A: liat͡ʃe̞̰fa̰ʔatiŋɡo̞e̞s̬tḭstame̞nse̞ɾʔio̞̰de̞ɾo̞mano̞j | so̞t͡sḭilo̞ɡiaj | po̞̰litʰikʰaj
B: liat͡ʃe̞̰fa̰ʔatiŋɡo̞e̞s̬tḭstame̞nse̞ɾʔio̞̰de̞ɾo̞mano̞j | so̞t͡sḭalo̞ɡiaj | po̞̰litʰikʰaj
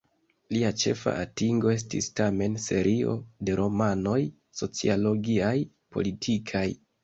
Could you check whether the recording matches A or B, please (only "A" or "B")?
B